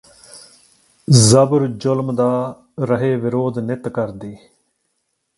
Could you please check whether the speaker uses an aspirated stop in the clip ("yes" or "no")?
no